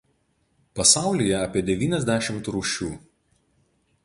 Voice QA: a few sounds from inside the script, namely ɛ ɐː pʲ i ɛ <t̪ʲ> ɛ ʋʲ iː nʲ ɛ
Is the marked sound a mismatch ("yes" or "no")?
yes